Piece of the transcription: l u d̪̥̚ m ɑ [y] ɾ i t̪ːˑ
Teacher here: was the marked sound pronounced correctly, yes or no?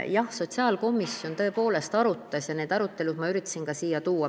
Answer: yes